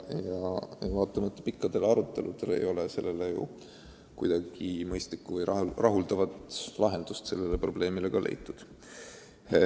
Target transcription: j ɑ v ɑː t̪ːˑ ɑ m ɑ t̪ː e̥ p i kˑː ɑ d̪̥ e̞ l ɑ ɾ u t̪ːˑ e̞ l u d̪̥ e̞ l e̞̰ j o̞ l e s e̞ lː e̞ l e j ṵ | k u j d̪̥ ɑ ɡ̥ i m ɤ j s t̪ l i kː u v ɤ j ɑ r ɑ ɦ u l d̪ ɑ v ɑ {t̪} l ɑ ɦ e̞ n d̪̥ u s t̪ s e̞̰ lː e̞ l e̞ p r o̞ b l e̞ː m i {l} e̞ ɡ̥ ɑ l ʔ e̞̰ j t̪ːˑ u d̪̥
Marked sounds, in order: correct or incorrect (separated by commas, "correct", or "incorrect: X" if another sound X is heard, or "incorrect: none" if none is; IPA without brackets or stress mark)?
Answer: correct, correct